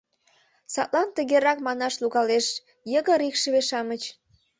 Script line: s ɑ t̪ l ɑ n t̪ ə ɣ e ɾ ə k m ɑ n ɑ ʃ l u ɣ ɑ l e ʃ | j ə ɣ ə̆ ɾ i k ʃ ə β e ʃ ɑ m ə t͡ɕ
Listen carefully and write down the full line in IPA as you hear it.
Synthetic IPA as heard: s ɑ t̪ l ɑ n t̪ ə ɣ e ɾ ɑ k m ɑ n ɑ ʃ l u ɣ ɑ l e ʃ | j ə ɣ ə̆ ɾ i k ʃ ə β e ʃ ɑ m ə t͡ɕ